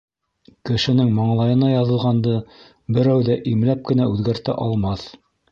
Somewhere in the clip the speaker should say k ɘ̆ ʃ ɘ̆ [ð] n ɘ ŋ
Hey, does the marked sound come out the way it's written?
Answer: no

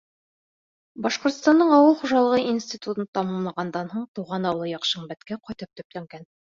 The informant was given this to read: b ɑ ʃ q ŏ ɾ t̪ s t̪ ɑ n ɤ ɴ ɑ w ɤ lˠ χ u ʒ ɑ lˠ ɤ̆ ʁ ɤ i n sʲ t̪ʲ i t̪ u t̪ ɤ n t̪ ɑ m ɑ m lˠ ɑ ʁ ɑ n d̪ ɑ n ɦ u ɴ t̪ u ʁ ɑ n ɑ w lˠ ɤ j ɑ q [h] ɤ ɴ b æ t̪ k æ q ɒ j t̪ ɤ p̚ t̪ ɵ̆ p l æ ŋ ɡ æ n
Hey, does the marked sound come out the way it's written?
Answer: no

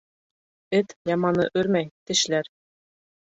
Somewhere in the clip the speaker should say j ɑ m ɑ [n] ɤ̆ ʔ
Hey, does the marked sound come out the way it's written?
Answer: yes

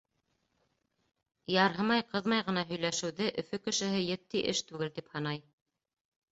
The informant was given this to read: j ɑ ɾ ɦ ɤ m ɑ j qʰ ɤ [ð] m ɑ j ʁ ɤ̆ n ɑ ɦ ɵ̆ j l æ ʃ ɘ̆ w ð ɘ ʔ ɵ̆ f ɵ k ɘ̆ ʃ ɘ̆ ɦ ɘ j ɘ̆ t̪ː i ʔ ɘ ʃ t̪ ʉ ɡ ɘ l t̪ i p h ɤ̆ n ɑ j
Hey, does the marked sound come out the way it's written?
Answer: yes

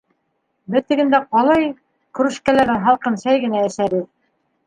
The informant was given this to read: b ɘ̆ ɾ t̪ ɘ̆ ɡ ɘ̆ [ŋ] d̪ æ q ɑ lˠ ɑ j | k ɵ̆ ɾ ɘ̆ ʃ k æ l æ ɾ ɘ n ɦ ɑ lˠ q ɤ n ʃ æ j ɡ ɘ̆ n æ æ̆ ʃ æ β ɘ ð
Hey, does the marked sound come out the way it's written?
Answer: no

